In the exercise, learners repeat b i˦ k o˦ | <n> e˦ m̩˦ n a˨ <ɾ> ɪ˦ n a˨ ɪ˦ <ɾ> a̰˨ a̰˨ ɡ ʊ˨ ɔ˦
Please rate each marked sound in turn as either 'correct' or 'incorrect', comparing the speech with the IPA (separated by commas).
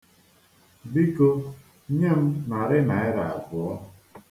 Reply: incorrect, correct, correct